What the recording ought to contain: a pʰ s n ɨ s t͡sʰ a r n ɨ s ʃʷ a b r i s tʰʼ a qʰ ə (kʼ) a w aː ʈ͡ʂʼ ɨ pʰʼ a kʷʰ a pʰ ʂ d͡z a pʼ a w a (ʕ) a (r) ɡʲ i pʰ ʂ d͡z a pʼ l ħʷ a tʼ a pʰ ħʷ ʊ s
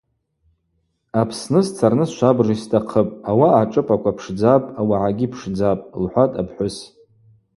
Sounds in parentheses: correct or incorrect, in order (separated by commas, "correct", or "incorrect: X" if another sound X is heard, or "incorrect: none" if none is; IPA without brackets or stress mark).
incorrect: pʼ, correct, incorrect: none